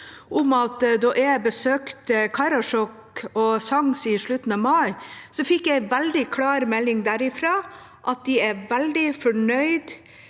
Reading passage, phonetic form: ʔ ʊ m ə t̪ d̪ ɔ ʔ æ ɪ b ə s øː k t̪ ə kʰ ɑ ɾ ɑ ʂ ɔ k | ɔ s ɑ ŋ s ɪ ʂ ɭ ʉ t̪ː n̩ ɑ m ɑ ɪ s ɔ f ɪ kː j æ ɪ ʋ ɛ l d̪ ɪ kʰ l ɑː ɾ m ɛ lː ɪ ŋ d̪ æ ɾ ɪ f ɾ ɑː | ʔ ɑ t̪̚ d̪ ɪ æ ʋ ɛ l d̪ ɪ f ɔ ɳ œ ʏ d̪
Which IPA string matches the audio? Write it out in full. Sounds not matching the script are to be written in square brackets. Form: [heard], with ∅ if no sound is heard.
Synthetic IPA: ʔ ʊ m [ɑ] t̪ d̪ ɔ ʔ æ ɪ b ə s øː k t̪ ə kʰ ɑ ɾ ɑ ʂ ɔ k | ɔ s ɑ ŋ s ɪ ʂ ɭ ʉ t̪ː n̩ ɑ m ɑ ɪ s ɔ f ɪ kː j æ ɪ ʋ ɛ l d̪ ɪ kʰ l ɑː ɾ m ɛ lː ɪ ŋ d̪ æ ɾ ɪ f ɾ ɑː | ʔ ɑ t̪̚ d̪ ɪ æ ʋ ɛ l d̪ ɪ f ɔ ɳ œ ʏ d̪